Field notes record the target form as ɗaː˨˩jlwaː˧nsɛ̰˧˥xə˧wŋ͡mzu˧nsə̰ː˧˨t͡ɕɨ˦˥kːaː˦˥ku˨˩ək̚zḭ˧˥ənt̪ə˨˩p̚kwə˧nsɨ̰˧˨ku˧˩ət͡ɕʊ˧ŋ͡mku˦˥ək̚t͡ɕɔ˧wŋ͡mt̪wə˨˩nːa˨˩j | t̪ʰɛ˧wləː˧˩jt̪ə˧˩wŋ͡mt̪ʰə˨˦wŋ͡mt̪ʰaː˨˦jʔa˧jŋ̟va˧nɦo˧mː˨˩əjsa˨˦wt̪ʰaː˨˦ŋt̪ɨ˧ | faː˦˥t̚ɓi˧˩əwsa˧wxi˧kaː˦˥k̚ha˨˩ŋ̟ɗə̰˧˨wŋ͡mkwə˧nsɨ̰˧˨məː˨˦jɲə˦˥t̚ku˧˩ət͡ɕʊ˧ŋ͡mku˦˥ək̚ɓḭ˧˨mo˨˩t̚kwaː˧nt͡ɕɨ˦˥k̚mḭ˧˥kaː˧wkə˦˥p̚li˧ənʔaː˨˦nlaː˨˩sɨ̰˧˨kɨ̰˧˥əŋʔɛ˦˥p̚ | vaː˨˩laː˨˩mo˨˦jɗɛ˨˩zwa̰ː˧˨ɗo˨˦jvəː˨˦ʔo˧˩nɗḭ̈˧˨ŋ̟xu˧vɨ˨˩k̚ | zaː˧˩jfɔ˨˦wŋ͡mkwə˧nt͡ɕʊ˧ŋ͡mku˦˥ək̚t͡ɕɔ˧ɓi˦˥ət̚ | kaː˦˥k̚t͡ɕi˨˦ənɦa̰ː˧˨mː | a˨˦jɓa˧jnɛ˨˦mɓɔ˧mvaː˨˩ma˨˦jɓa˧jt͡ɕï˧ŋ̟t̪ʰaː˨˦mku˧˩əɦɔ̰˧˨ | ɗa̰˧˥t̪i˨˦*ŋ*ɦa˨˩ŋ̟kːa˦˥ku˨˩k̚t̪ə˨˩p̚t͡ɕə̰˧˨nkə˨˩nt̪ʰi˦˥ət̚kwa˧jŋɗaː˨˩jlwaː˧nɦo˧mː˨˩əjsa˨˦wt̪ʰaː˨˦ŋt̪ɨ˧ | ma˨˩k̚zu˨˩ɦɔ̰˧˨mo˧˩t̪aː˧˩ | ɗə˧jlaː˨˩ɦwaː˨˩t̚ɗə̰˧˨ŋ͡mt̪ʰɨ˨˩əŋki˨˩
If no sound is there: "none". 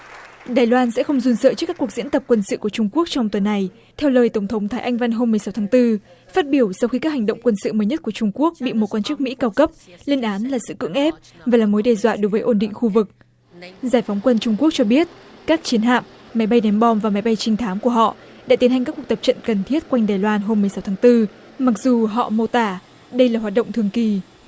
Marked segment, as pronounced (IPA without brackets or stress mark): n